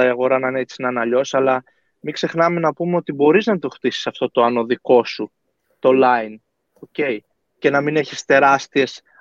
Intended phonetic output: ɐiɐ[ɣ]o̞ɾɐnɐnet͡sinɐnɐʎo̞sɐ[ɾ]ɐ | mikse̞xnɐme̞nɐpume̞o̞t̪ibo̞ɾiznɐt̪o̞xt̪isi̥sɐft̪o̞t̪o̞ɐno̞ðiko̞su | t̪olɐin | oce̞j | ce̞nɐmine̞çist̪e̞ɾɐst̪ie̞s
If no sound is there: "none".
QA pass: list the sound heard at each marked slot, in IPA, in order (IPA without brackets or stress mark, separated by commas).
ɣ, l